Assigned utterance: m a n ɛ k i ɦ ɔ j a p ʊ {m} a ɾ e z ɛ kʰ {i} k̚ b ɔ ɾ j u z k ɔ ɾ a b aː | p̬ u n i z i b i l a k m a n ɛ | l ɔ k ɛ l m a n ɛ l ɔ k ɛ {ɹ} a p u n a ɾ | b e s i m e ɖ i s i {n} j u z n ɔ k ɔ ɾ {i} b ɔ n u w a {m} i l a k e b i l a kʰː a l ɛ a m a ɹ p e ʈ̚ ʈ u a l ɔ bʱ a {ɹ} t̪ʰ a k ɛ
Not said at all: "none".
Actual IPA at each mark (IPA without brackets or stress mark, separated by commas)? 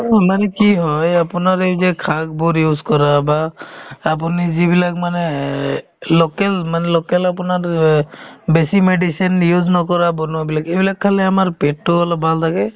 n, a, l, n, a, b, l